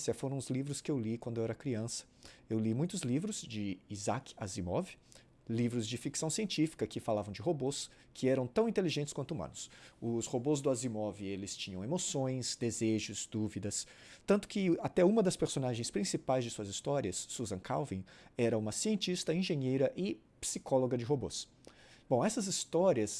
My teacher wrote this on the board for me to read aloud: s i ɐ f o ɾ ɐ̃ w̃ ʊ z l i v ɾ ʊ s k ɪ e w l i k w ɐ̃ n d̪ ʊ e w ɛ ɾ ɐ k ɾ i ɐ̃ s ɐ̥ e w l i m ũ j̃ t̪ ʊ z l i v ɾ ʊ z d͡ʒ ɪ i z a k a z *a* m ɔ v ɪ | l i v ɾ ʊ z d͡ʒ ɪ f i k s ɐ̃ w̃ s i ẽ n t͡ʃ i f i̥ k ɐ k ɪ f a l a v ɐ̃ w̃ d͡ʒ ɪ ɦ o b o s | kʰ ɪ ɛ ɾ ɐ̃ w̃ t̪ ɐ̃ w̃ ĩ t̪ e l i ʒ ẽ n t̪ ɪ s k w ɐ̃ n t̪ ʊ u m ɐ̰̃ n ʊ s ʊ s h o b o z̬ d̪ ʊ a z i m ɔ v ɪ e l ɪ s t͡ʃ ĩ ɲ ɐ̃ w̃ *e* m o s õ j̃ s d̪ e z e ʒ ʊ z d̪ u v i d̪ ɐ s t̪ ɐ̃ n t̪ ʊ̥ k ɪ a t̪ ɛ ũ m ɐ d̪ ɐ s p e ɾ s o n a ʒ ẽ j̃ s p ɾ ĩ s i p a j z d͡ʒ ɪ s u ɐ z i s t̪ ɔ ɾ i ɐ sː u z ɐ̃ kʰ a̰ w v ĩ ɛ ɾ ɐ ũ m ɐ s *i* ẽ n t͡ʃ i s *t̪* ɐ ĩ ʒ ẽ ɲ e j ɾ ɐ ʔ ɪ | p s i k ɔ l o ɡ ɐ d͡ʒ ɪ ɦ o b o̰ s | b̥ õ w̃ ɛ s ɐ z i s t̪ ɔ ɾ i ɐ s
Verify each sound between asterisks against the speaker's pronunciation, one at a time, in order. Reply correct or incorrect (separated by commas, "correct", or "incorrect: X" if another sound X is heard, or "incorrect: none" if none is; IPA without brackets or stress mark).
incorrect: i, correct, correct, correct